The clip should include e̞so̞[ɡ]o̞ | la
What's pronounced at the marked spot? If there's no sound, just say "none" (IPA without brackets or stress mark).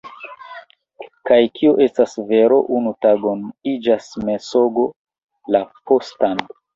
ɡ